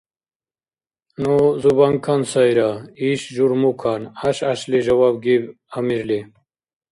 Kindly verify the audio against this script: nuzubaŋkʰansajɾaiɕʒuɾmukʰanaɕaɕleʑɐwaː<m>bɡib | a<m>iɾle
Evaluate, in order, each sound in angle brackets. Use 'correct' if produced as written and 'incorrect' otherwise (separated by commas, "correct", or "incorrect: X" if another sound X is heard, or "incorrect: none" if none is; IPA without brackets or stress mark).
incorrect: none, correct